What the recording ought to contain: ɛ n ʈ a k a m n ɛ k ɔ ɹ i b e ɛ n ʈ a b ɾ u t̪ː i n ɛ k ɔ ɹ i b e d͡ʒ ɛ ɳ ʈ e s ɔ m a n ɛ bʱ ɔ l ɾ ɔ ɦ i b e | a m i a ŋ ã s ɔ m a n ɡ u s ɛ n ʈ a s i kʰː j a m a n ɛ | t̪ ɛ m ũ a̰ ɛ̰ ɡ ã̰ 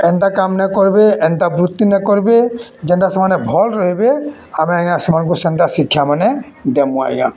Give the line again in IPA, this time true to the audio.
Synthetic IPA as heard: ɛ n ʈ a k a m n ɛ k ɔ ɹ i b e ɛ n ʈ a b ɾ u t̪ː i n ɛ k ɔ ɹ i b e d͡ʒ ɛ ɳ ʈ a s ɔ m a n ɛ bʱ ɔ l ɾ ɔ ɦ i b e | a m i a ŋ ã s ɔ m a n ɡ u s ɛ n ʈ a s i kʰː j a m a n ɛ | d̪ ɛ m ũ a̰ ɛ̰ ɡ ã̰